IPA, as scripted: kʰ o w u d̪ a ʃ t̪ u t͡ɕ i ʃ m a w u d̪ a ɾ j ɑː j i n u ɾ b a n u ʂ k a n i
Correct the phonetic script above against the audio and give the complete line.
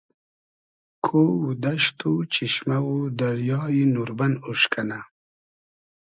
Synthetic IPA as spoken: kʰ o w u d̪ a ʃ t̪ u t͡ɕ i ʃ m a w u d̪ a ɾ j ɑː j i n u ɾ b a n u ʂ k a n a